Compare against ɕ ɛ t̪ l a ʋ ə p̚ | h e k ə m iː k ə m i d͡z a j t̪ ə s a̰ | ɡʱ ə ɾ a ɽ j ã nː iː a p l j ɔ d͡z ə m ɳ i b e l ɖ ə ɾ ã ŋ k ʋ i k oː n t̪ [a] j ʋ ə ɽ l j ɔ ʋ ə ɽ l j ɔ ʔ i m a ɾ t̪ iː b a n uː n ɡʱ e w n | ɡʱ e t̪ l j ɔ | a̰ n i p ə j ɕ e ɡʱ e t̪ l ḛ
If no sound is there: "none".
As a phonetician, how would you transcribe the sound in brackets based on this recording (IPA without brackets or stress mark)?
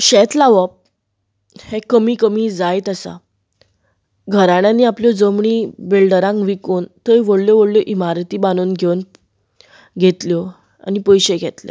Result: ə